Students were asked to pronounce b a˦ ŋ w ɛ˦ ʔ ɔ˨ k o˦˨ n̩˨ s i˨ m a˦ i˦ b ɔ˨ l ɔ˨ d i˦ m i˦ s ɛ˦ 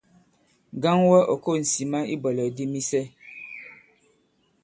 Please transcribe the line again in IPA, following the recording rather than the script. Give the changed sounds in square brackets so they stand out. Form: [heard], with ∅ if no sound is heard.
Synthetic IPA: [ɡ] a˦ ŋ w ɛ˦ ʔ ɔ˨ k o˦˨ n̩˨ s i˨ m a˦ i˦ b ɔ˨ l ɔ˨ d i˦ m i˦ s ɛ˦